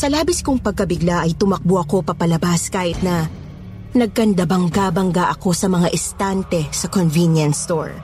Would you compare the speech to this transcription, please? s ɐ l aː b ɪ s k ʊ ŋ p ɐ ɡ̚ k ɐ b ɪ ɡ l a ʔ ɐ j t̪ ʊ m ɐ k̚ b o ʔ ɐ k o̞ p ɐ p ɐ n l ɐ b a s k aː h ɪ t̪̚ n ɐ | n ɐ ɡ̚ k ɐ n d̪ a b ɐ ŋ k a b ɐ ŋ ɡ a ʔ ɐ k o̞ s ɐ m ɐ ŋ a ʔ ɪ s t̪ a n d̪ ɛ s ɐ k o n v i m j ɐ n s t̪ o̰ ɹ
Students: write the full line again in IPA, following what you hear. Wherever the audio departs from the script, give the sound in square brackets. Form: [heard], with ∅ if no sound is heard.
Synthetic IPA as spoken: s ɐ l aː b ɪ s k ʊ ŋ p ɐ ɡ̚ k ɐ b ɪ ɡ l a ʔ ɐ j t̪ ʊ m ɐ k̚ b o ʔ ɐ k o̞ p ɐ p ɐ [∅] l ɐ b a s k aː h ɪ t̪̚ n ɐ | n ɐ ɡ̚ k ɐ n d̪ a b ɐ ŋ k a b ɐ ŋ ɡ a ʔ ɐ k o̞ s ɐ m ɐ ŋ a ʔ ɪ s t̪ a n [t̪] ɛ s ɐ k o n v i [n] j ɐ n s t̪ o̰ ɹ